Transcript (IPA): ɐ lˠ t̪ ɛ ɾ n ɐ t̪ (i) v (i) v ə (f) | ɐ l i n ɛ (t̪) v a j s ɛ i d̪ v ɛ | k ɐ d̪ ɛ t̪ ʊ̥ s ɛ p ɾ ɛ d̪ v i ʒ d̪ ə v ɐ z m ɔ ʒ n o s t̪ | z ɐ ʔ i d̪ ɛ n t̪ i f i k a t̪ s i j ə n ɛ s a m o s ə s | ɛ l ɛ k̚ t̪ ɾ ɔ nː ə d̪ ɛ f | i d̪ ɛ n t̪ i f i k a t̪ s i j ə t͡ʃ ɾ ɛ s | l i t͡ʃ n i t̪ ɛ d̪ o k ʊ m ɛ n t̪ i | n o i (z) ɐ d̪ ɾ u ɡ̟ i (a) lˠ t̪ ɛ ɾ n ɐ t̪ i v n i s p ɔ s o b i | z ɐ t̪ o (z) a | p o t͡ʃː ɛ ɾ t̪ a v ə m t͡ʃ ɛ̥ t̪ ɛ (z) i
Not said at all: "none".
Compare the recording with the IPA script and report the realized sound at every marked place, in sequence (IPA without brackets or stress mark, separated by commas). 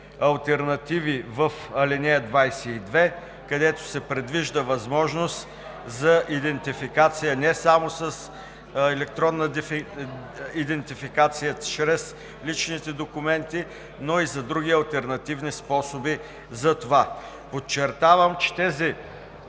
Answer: i, i, f, d̪, z, ɐ, v, z